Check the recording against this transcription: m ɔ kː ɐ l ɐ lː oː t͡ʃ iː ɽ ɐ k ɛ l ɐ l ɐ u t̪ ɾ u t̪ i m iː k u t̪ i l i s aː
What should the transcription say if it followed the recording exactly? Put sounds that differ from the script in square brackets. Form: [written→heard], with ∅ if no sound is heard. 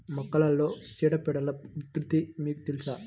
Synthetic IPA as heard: m ɔ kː ɐ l ɐ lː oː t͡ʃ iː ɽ ɐ [k→p] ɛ [l→ɽ] ɐ l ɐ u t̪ ɾ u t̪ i m iː k u t̪ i l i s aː

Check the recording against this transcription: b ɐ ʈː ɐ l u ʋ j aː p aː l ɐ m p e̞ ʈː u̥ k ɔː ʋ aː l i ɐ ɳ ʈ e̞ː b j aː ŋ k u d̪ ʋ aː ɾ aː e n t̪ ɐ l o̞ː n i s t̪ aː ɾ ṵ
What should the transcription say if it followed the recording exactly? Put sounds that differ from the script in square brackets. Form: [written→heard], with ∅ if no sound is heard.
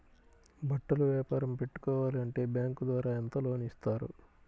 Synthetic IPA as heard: b ɐ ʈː ɐ l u ʋ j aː p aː [l→ɾ] ɐ m p e̞ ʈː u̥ k ɔː ʋ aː l i ɐ ɳ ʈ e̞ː b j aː ŋ k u d̪ ʋ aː ɾ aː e n t̪ ɐ l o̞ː n i s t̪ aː ɾ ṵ

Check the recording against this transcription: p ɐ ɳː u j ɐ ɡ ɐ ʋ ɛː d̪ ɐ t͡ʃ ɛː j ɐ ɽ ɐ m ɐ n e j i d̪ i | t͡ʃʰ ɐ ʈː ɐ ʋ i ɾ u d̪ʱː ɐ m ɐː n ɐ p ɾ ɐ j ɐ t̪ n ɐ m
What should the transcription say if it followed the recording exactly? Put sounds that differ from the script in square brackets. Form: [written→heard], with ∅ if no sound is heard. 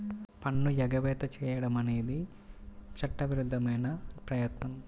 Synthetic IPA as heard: p ɐ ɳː u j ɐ ɡ ɐ ʋ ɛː [d̪→t̪] ɐ t͡ʃ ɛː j ɐ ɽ ɐ m ɐ n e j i d̪ i | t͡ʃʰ ɐ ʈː ɐ ʋ i ɾ u d̪ʱː ɐ m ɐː n ɐ p ɾ ɐ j ɐ t̪ n ɐ m

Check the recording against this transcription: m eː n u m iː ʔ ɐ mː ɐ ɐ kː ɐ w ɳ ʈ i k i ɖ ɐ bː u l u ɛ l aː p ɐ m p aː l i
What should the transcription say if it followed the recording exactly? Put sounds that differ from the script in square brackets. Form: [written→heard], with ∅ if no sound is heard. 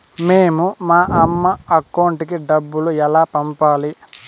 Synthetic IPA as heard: m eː [n→m] u m [iː→aː] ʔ ɐ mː ɐ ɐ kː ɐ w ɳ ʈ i k i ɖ ɐ bː u l u ɛ l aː p ɐ m p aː l i

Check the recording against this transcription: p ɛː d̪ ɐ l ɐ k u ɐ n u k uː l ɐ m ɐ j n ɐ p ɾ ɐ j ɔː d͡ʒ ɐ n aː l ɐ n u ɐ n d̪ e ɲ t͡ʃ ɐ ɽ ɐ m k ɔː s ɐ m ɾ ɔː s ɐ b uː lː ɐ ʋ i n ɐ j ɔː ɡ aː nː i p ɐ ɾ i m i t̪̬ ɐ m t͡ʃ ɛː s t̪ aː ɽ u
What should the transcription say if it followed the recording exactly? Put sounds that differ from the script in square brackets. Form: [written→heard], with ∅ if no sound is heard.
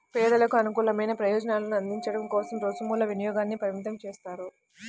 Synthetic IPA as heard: p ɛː d̪ ɐ l ɐ k u ɐ n u k uː l ɐ m ɐ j n ɐ p ɾ ɐ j ɔː d͡ʒ ɐ n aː l ɐ n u ɐ n d̪ [e→i] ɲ t͡ʃ ɐ ɽ ɐ m k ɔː s ɐ m ɾ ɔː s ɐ [b→m] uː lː ɐ ʋ i n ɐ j ɔː ɡ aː nː i p ɐ ɾ i m i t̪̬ ɐ m t͡ʃ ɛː s t̪ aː [ɽ→ɾ] u

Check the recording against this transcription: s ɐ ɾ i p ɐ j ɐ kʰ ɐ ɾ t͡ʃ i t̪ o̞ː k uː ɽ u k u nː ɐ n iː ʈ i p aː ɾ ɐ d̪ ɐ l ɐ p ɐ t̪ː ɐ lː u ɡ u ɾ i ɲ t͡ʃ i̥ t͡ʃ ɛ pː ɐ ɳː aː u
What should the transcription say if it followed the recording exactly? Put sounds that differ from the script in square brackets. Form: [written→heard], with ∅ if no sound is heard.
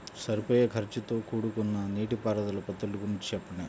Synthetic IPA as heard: s ɐ ɾ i p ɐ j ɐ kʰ ɐ ɾ t͡ʃ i t̪ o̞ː k uː ɽ u k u nː ɐ n iː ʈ i p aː ɾ ɐ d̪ ɐ l ɐ p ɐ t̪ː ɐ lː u ɡ u ɾ i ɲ t͡ʃ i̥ t͡ʃ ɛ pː ɐ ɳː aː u

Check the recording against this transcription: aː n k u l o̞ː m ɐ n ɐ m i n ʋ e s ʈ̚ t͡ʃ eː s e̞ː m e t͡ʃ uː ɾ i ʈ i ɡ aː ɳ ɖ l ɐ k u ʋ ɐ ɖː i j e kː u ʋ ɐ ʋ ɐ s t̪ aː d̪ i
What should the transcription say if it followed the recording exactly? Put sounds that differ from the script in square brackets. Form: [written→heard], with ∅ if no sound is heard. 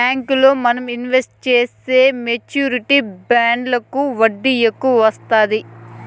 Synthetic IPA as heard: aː [n→ŋ] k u l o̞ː m ɐ n ɐ m i n ʋ e s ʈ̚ t͡ʃ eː s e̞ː m e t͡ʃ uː ɾ i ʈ i [ɡ→b] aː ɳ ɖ l ɐ k u ʋ ɐ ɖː i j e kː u ʋ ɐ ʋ ɐ s t̪ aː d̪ i

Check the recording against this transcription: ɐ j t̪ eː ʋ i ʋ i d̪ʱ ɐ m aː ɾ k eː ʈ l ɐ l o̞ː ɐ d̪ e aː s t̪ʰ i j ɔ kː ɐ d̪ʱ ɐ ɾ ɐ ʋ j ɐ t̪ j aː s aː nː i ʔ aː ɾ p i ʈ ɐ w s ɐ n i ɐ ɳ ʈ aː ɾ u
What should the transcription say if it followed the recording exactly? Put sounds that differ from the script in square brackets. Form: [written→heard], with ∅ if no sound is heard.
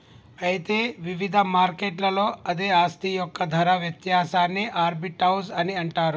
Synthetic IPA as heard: ɐ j t̪ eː ʋ i ʋ i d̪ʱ ɐ m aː ɾ k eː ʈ l ɐ l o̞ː ɐ d̪ e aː s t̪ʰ i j ɔ kː ɐ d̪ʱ ɐ ɾ ɐ ʋ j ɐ t̪ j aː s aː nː i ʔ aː ɾ [p→b] i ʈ ɐ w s ɐ n i ɐ ɳ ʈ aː ɾ u

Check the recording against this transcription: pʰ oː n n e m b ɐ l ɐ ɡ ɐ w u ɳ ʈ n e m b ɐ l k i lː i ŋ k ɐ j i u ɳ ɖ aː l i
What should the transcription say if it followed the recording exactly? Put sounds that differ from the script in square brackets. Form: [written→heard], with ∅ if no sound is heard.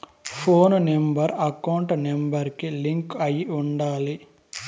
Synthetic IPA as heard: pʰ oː n n e m b ɐ [l→ɾ] ɐ [ɡ→k] ɐ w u ɳ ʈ n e m b ɐ [l→ɾ] k i [lː→l] i ŋ k ɐ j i u ɳ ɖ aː l i

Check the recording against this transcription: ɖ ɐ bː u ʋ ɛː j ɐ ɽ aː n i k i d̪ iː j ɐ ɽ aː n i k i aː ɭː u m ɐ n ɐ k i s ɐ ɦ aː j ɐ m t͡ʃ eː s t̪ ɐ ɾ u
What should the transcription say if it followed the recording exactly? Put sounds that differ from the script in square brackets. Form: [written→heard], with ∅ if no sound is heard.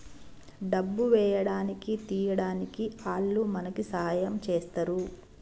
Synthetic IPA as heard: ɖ ɐ bː u ʋ ɛː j ɐ ɽ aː n i k i [d̪→t̪] iː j ɐ ɽ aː n i k i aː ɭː u m ɐ n ɐ k i s ɐ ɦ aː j ɐ m t͡ʃ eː s t̪ ɐ ɾ u

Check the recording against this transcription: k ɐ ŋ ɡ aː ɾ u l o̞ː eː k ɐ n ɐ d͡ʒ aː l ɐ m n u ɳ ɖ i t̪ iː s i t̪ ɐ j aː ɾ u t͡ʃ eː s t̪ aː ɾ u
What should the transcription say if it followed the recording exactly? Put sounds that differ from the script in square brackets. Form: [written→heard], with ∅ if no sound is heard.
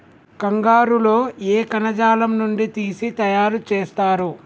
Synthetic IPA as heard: k ɐ ŋ ɡ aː ɾ u l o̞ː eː k ɐ n ɐ d͡ʒ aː l ɐ m n u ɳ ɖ i t̪ iː s i t̪ ɐ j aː ɾ u t͡ʃ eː s t̪ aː ɾ u

